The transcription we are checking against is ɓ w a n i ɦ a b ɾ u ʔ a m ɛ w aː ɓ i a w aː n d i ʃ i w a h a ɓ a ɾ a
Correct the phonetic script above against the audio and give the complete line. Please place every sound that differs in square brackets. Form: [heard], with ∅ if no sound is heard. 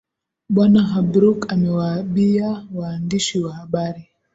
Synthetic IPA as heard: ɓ w a n [a] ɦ a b ɾ u [k] a m ɛ w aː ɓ i a w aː n d i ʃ i w a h a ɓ a ɾ [i]